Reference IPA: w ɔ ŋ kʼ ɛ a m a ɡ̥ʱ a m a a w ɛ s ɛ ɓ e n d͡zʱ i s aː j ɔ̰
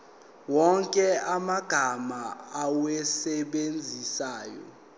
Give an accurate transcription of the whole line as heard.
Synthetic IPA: w ɔ ŋ kʼ ɛ a m a ɡ̥ʱ a m a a w ɛ s ɛ ɓ e n d͡zʱ i s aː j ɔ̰